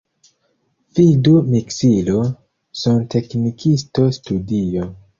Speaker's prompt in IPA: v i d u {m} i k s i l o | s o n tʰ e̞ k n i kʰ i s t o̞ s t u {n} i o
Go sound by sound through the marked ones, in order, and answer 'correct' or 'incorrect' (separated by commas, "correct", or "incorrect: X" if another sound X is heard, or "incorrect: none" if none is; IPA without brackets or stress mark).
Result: correct, incorrect: d